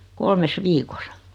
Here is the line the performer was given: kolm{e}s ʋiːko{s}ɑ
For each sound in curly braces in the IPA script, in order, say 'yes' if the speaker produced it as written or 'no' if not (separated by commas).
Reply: yes, yes